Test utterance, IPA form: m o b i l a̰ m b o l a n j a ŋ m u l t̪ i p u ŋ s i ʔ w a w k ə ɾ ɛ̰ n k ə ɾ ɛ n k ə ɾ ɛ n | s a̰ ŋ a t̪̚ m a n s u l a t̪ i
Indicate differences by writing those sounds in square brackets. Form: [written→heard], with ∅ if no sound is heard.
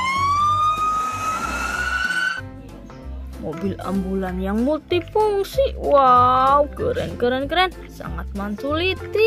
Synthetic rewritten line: m o b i l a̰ m b [o→u] l a n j a ŋ m u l t̪ i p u ŋ s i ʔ w a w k ə ɾ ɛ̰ n k ə ɾ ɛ n k ə ɾ ɛ n | s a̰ ŋ a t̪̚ m a n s u l [a→i] t̪ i